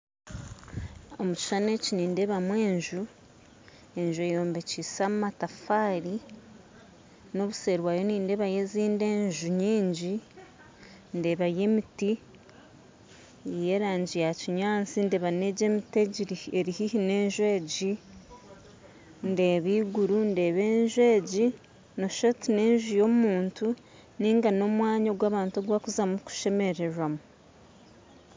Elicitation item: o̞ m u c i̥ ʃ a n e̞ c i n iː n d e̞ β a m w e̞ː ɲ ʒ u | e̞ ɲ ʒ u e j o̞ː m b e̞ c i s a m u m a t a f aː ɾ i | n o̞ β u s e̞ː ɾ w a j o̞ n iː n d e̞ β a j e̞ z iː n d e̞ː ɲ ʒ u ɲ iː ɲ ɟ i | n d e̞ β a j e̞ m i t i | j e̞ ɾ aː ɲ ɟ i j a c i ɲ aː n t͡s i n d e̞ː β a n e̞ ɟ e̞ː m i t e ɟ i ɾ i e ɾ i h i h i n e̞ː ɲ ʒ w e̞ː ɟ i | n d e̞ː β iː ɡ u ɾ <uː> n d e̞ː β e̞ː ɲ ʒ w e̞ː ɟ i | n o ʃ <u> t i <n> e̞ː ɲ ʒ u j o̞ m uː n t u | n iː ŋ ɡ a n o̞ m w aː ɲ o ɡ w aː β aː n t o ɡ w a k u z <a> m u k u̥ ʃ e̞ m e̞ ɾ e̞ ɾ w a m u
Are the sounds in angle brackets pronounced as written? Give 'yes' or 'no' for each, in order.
no, no, yes, yes

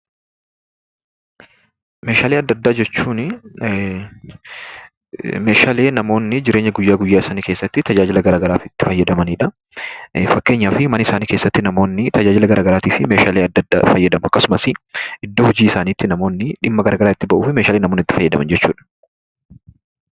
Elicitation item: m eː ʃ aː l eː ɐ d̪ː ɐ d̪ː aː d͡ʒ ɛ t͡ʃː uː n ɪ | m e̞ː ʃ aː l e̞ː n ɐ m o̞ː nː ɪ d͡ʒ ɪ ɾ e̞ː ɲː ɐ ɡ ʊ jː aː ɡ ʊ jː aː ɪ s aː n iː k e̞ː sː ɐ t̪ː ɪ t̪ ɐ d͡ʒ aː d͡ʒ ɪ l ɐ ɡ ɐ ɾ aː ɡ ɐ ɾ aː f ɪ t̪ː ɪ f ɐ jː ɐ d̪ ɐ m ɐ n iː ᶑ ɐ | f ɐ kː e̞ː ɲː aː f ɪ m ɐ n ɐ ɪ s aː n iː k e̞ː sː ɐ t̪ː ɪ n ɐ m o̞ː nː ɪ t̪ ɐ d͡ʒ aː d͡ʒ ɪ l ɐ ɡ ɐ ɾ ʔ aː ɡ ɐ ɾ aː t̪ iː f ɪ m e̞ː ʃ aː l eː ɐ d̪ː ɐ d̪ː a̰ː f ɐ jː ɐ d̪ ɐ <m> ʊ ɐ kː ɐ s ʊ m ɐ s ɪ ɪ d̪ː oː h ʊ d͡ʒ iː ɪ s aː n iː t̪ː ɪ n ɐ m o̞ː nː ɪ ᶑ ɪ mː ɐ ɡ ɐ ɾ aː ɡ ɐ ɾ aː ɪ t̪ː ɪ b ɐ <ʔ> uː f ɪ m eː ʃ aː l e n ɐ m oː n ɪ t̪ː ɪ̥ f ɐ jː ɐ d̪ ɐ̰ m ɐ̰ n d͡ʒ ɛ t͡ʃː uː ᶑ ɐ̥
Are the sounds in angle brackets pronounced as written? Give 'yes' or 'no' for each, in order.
yes, yes

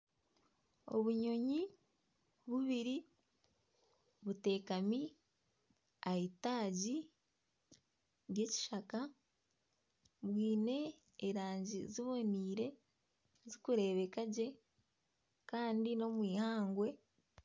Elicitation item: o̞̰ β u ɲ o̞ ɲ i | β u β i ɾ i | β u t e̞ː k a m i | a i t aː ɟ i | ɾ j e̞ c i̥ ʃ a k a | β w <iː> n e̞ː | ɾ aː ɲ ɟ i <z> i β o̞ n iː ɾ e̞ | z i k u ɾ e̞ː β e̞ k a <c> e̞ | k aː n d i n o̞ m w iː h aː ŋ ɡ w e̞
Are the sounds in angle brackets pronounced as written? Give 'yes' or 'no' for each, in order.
yes, yes, no

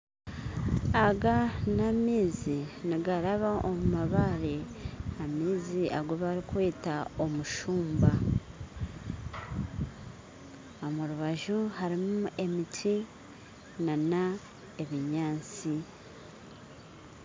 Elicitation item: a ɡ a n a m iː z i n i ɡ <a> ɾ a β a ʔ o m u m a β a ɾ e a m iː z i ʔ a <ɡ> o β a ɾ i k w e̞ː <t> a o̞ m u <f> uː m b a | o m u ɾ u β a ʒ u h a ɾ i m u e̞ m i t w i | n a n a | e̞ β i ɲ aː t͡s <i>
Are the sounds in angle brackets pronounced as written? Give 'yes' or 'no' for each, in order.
yes, yes, yes, no, yes

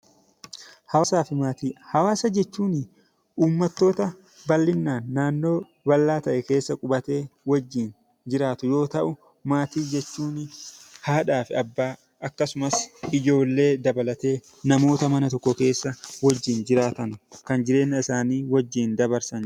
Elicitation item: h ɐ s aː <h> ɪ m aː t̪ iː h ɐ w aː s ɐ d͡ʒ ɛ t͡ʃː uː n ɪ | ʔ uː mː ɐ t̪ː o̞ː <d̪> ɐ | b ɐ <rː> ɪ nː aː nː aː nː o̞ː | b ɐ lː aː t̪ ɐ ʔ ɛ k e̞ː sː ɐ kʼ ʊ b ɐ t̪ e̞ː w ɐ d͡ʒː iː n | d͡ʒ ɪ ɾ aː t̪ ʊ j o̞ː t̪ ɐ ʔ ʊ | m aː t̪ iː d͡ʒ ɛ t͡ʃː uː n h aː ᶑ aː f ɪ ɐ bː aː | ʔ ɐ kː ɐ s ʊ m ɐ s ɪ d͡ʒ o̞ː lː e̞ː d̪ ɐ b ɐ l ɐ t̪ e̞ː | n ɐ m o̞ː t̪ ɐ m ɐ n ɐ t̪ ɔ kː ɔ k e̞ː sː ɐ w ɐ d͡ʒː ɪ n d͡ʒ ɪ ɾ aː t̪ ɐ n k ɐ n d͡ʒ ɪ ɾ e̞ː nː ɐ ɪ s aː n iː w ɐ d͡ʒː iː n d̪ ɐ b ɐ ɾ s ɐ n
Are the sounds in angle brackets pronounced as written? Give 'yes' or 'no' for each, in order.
no, no, no

